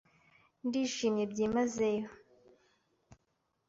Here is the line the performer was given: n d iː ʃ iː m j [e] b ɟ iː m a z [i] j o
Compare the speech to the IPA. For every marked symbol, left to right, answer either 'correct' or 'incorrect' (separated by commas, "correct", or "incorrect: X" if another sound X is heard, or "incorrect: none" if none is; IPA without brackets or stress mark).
correct, incorrect: e